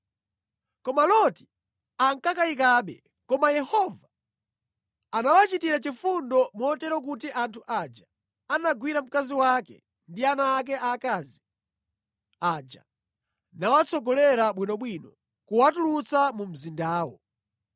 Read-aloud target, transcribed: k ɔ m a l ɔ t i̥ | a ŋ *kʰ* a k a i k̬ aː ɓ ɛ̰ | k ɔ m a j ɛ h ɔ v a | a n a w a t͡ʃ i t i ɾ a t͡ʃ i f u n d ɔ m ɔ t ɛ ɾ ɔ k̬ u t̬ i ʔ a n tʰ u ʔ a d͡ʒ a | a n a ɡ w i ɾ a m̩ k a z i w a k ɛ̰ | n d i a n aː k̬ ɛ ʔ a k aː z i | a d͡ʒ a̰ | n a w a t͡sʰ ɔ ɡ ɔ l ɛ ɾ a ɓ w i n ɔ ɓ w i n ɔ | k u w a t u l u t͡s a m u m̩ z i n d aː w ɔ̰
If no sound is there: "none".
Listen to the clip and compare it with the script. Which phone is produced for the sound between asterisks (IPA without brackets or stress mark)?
k